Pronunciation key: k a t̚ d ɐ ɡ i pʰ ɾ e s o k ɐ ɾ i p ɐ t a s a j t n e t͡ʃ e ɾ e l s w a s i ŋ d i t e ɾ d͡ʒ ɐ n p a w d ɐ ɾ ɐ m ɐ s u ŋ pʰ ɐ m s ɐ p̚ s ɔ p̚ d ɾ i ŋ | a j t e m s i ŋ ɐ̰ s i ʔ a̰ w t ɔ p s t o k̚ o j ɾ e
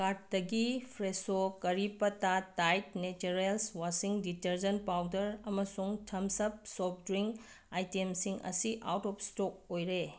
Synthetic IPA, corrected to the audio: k a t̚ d ɐ ɡ i pʰ ɾ e s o k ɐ ɾ i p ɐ t a t a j t n e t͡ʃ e ɾ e l s w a s i ŋ d i t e ɾ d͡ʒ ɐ n p a w d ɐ ɾ ɐ m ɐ s u ŋ tʰ ɐ m s ɐ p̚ s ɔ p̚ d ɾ i ŋ | a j t e m s i ŋ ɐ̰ s i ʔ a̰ w t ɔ p s t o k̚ o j ɾ e